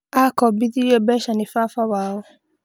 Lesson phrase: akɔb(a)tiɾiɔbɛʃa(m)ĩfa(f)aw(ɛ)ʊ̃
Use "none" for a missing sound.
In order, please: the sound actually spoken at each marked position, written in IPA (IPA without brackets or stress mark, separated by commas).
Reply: i, n, f, a